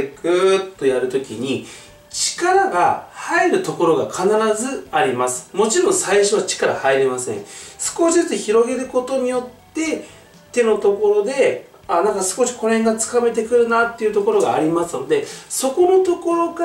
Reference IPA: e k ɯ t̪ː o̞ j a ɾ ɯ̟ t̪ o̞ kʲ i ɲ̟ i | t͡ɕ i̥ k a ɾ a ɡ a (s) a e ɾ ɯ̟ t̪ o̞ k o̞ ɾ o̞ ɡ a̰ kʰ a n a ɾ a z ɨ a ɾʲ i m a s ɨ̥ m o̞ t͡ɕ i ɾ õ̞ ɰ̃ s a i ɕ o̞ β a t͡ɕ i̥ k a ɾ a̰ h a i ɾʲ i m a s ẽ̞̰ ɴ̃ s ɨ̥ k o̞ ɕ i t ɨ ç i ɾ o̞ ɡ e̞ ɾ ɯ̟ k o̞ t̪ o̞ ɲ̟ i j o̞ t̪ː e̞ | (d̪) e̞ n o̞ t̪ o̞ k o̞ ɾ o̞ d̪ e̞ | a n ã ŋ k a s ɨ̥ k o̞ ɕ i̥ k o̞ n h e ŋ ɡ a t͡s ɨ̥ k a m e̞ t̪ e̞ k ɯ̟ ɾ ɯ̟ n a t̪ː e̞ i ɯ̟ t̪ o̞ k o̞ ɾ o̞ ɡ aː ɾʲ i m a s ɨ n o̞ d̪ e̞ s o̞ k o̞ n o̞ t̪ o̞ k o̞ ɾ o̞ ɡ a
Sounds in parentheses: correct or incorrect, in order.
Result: incorrect: h, incorrect: t̪

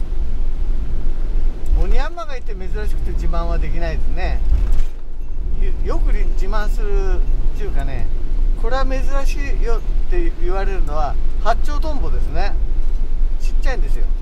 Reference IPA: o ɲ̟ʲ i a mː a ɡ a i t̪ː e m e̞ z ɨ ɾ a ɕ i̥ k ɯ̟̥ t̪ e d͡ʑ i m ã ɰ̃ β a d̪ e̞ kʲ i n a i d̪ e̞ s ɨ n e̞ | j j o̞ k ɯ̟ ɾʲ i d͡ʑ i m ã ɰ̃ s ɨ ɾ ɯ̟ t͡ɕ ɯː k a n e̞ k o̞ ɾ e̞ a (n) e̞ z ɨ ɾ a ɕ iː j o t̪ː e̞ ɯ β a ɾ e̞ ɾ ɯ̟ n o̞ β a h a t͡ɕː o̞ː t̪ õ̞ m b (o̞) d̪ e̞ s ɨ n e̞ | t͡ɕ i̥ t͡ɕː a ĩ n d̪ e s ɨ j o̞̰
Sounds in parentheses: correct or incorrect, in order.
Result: incorrect: m, correct

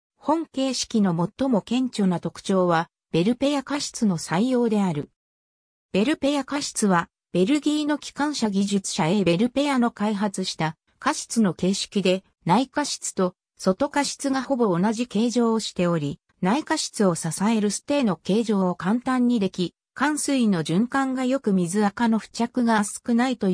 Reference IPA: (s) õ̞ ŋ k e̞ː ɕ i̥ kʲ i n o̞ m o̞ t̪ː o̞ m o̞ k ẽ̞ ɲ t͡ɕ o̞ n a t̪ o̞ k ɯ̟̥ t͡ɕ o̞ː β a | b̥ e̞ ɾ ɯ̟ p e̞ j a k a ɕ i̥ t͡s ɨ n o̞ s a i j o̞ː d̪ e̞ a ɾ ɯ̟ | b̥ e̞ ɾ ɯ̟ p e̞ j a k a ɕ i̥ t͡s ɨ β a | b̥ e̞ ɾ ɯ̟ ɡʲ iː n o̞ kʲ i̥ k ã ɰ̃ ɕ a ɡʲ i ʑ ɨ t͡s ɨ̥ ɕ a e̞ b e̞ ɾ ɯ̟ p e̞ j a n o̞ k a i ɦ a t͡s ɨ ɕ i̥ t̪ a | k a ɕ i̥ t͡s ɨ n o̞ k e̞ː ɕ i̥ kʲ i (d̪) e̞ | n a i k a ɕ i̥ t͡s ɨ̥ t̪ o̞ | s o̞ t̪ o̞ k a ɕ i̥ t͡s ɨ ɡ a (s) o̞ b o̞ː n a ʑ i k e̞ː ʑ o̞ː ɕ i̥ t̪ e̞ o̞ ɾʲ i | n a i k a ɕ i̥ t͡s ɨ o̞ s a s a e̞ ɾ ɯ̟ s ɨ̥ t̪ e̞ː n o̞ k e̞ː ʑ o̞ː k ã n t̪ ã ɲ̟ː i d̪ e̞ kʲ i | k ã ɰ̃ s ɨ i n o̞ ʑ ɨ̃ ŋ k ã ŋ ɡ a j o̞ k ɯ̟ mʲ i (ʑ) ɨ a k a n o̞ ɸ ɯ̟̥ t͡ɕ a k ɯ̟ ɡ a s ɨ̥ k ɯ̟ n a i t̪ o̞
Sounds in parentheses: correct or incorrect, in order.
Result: incorrect: h, correct, incorrect: h, incorrect: z

